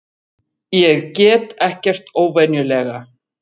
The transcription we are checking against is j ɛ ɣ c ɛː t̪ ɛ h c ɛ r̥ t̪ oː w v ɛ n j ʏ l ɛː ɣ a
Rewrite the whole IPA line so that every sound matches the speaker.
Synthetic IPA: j ɛ ɣ c ɛː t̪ ɛ h c ɛ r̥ t̪ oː w v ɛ n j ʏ l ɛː ɣ a